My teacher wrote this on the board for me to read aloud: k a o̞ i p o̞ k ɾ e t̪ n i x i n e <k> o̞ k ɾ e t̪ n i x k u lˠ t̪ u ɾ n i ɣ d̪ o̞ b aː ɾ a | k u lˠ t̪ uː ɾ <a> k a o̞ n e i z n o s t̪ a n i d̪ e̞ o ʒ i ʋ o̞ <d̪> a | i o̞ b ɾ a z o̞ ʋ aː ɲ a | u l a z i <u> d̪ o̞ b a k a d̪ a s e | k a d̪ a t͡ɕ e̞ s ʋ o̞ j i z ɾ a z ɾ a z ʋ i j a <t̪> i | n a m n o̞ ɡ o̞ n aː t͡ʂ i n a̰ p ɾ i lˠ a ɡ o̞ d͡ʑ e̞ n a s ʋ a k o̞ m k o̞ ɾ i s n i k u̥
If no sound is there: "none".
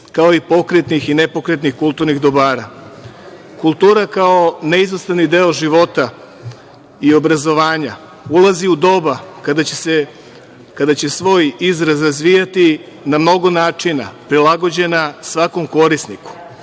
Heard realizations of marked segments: p, a, t̪, u, t̪

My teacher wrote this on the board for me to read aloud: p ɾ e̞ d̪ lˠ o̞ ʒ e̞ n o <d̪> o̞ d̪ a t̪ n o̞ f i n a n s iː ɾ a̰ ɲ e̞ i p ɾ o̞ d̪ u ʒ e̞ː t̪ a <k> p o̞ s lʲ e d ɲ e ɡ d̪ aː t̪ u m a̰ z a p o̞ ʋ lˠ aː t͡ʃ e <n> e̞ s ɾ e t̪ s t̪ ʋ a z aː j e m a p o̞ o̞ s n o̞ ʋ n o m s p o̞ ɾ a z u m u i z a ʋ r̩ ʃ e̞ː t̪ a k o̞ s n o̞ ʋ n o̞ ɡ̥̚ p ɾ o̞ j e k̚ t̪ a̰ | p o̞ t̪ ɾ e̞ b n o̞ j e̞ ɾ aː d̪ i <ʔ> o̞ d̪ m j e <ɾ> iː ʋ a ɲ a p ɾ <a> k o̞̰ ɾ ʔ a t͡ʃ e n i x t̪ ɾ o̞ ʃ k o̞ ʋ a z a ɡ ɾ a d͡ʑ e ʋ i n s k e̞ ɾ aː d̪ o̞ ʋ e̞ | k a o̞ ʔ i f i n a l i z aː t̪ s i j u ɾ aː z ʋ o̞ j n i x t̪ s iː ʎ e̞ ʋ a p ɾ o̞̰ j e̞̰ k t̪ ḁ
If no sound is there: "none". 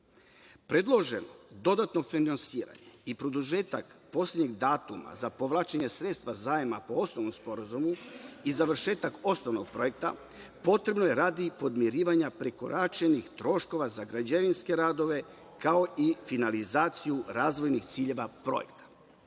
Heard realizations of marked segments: d̪, k, ɲ, p, ɾ, e

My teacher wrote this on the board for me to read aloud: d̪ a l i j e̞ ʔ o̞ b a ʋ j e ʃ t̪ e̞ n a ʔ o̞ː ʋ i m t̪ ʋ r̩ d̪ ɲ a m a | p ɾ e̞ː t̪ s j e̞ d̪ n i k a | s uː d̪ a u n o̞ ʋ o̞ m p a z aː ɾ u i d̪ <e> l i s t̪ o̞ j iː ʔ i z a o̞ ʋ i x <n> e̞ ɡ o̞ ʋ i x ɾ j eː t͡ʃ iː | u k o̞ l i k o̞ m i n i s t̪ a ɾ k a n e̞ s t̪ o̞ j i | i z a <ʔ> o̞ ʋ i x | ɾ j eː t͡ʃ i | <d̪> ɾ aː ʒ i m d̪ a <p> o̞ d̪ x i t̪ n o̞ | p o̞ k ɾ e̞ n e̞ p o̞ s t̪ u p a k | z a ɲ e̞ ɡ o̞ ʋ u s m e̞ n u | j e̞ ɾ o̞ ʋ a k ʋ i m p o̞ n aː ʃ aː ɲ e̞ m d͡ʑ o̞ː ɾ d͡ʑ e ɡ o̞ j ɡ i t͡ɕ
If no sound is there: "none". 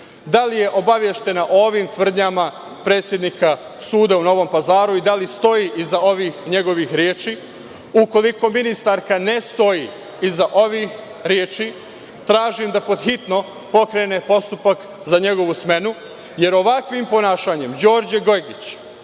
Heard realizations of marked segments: a, ɲ, ʔ, t̪, p

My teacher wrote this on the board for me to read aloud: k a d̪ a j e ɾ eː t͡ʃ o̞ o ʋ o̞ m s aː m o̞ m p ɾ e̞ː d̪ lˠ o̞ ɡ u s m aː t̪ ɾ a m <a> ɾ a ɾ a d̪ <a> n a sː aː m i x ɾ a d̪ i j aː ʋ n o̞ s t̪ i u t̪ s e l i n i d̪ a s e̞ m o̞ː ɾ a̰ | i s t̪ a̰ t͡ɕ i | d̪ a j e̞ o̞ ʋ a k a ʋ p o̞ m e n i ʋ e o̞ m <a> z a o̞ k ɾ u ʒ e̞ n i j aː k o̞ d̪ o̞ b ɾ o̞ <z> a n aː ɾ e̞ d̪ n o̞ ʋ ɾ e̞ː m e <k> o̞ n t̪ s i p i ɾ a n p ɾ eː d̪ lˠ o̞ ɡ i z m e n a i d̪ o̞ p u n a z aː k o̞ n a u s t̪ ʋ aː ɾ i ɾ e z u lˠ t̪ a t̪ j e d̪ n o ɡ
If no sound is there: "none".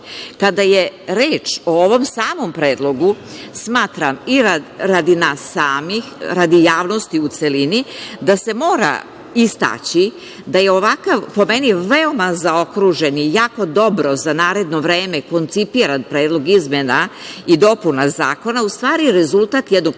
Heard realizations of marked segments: i, i, a, z, k

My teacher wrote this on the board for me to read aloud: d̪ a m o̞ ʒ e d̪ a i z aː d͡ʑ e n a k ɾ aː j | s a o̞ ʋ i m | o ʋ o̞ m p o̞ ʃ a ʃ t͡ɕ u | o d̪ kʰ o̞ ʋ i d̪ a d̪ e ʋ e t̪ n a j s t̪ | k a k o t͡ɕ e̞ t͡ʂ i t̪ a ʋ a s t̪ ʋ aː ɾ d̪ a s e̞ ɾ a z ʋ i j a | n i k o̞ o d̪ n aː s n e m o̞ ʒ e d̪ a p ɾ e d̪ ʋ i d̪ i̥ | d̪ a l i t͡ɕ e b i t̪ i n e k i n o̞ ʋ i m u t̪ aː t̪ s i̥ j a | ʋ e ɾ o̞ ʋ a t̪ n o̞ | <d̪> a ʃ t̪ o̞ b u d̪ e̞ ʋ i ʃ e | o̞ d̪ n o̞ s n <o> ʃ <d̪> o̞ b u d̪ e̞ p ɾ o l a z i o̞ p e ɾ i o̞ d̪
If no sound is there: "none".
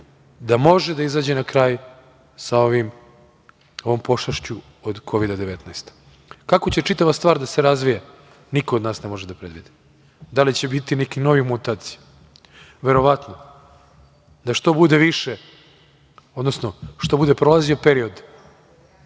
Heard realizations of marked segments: d̪, o, t̪

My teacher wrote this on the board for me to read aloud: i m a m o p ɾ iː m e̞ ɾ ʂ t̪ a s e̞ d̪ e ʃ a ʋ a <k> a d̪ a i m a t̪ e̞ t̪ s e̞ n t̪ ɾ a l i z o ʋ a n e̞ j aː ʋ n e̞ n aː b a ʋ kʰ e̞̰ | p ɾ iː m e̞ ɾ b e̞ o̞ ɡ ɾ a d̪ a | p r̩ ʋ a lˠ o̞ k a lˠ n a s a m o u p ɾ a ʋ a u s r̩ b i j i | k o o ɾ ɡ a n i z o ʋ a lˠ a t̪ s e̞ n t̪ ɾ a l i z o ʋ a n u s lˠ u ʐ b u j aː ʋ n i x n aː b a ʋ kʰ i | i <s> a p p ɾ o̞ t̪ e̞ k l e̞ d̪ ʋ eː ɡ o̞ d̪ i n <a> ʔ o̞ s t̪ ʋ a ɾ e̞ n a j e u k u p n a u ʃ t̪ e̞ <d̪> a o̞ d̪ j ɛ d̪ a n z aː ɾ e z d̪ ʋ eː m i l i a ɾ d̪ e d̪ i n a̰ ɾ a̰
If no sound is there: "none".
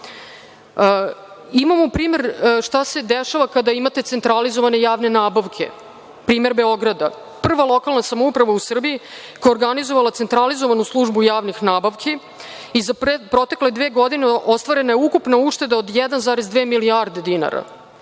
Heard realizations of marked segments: k, z, e, d̪

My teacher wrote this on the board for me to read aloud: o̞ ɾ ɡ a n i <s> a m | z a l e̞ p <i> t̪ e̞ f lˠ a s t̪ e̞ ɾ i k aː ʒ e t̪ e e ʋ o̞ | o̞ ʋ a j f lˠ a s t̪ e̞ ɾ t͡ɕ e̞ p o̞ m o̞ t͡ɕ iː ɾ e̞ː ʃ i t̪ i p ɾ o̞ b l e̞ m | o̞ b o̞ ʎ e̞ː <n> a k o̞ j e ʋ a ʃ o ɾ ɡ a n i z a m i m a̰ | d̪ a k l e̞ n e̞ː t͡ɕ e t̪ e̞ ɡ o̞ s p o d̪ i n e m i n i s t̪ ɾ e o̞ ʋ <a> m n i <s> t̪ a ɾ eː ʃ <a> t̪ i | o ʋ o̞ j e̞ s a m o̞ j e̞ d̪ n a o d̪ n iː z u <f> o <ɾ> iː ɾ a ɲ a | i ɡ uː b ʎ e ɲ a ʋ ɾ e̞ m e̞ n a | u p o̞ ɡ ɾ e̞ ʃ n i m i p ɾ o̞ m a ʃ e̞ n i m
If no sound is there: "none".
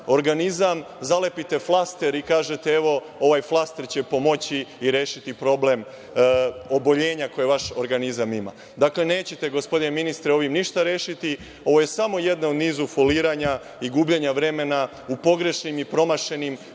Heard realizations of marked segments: z, i, ɲ, i, ʃ, i, f, l

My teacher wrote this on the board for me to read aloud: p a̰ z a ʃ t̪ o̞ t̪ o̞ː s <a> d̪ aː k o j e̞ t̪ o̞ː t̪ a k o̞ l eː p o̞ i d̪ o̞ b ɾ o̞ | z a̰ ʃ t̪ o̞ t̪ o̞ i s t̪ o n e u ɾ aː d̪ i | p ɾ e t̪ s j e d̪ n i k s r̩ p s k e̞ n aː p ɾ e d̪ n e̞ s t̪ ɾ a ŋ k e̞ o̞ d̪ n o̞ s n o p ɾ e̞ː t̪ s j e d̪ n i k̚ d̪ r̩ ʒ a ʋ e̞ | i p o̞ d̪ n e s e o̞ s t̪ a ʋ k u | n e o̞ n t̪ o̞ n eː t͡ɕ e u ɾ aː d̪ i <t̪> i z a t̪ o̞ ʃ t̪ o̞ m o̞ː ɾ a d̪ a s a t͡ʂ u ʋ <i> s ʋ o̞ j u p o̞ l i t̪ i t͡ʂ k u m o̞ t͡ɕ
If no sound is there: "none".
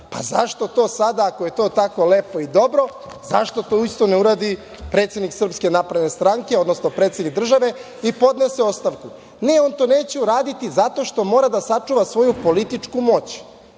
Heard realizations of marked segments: a, t̪, a

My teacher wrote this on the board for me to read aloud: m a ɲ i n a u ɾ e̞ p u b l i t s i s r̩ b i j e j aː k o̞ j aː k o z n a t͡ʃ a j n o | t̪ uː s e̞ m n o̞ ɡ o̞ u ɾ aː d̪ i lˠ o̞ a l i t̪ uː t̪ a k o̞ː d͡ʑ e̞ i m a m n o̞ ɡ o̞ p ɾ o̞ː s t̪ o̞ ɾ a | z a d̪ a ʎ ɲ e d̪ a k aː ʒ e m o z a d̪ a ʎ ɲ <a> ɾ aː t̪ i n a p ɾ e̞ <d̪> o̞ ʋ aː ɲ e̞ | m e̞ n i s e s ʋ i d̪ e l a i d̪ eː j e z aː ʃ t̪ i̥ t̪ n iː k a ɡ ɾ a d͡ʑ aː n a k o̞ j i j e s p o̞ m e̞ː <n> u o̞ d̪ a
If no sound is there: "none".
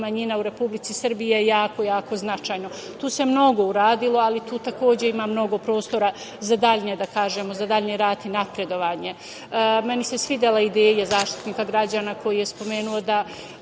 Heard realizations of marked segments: e, d̪, n

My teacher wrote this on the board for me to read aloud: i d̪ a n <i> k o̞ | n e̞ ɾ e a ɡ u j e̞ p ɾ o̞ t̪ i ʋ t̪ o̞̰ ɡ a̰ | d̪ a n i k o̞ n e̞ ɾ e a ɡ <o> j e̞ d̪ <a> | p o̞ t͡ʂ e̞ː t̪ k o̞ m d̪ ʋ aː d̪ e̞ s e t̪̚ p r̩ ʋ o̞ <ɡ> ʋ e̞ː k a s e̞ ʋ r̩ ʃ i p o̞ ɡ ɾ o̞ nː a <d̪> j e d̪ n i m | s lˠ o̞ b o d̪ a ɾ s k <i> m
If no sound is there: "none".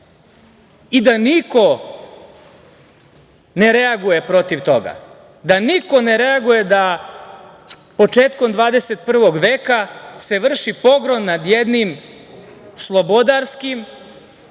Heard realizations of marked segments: i, u, a, ɡ, d̪, i

